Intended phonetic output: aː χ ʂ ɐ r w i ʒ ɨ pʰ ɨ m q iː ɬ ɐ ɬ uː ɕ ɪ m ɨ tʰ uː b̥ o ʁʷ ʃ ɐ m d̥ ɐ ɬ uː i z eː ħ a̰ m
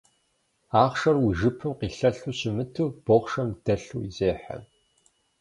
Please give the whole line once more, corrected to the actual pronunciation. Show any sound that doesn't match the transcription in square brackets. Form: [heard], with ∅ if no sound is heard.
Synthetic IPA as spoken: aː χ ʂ ɐ r w i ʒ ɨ pʰ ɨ m q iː ɬ ɐ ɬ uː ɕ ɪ m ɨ tʰ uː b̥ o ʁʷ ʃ ɐ m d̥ ɐ ɬ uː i z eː ħ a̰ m